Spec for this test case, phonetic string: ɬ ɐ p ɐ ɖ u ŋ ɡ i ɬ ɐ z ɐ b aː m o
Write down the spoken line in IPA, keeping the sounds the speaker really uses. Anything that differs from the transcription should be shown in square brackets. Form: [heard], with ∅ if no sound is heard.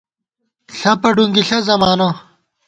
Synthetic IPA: ɬ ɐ p ɐ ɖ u ŋ ɡ i ɬ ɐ z ɐ [m] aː [n] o